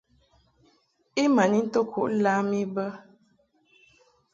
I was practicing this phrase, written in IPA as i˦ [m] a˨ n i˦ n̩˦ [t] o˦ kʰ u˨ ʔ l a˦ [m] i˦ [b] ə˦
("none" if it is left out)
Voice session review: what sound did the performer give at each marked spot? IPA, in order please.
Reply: m, t, m, b

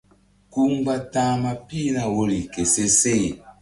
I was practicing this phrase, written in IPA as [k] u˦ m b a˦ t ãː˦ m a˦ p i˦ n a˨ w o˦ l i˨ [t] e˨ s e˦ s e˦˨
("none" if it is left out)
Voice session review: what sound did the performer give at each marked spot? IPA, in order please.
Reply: k, k

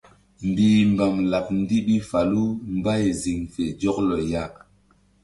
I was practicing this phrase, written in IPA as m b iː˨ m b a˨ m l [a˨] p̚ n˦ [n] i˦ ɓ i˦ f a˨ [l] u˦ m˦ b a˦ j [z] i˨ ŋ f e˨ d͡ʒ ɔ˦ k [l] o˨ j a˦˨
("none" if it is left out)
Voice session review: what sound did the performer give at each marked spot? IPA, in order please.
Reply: a˨, d, l, z, l

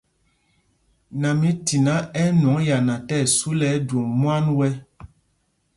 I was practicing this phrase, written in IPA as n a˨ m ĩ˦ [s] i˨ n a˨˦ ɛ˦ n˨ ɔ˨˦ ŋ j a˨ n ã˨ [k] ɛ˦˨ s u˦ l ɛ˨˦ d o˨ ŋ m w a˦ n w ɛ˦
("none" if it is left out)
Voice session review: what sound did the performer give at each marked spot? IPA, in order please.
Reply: t, t

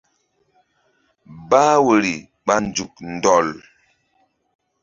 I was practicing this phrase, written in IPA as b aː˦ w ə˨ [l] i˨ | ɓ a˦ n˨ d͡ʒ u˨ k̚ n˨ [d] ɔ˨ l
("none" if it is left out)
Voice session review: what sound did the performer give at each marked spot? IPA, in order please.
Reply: ɾ, d

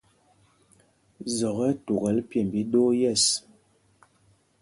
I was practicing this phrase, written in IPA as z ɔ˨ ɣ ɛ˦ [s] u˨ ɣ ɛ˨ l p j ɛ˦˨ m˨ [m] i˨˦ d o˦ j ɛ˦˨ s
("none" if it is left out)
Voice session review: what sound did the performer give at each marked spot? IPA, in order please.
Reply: t, b

